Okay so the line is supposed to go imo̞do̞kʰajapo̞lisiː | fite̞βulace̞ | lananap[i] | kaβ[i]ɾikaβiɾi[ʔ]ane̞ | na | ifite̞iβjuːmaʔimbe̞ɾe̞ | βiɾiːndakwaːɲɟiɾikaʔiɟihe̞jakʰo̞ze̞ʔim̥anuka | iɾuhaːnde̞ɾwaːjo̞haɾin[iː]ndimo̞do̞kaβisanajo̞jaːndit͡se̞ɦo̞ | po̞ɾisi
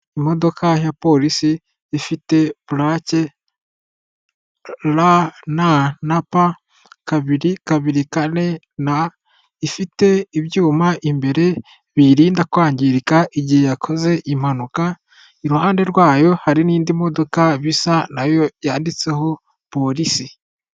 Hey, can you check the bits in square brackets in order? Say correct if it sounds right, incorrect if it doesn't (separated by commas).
incorrect, correct, incorrect, correct